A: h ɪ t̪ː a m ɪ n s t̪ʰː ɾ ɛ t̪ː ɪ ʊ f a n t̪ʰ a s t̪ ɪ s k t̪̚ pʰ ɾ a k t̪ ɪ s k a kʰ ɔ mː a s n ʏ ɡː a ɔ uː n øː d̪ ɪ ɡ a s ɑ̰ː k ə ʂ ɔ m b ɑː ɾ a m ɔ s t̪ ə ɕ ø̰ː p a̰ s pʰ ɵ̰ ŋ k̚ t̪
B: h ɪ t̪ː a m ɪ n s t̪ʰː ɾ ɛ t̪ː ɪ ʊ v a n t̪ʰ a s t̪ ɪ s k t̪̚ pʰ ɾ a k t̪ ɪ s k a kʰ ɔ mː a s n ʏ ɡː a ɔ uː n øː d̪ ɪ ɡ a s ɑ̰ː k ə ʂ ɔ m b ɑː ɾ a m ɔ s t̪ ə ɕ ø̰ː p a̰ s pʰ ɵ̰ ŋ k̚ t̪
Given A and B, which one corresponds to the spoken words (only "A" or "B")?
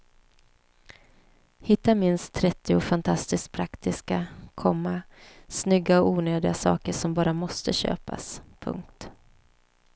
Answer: A